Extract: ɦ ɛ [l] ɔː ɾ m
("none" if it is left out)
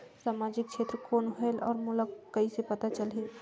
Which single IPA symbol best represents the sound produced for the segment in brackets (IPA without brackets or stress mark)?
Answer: l